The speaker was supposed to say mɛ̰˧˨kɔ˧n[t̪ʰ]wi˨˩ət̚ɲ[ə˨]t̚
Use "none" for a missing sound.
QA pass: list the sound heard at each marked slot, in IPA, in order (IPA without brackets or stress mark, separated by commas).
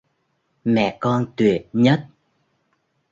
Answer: t̪, ə˦˥